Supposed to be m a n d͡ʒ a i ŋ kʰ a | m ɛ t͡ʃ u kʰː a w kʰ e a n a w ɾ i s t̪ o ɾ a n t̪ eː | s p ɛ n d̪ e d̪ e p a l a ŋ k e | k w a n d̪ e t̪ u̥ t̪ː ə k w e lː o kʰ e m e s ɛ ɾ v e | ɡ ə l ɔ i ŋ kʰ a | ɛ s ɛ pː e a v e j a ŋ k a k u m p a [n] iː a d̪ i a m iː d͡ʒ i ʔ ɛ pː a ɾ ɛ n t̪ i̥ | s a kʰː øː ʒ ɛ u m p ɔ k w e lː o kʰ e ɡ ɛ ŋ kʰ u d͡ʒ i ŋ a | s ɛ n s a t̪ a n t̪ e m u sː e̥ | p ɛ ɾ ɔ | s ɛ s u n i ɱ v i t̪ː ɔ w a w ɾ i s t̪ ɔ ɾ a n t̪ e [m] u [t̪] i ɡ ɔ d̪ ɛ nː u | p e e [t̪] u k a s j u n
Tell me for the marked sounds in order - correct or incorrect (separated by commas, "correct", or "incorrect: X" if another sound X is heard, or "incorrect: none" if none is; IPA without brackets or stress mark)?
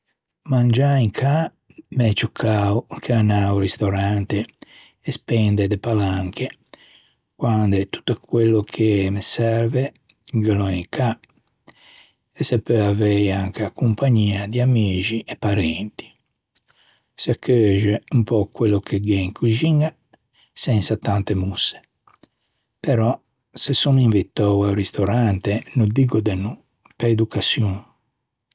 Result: incorrect: ɲ, incorrect: n, incorrect: d̪, incorrect: d̪